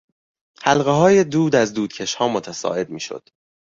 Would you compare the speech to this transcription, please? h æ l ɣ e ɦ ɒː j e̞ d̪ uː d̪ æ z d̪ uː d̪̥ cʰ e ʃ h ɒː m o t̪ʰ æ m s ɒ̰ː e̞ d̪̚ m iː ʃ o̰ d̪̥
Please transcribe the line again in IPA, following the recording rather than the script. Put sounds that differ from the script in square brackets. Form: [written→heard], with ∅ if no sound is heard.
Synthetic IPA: h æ l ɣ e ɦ ɒː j e̞ d̪ uː d̪ æ z d̪ uː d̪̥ cʰ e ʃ h ɒː m o t̪ʰ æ [m→∅] s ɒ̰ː e̞ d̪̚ m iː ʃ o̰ d̪̥